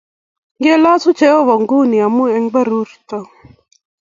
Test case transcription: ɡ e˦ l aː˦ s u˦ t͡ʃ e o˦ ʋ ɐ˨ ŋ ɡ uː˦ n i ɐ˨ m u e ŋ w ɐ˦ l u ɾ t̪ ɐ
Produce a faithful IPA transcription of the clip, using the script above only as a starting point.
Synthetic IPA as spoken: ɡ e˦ l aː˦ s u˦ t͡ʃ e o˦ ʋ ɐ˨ ŋ ɡ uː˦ n i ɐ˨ m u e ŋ b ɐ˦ ɾ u ɾ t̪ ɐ

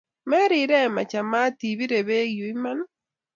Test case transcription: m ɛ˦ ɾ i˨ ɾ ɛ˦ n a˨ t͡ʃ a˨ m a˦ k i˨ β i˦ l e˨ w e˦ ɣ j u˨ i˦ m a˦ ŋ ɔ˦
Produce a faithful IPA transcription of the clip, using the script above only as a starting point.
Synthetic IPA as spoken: m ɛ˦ ɾ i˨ ɾ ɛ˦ m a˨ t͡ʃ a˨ m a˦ t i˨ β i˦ ɾ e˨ β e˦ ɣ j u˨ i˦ m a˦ n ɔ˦

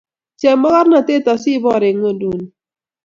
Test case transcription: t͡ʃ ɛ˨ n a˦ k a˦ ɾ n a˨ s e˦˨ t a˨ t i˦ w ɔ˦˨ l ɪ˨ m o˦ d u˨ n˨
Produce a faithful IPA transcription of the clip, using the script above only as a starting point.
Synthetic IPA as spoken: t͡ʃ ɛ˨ m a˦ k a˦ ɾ n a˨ t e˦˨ t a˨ s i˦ b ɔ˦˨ ɾ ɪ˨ ŋ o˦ d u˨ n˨

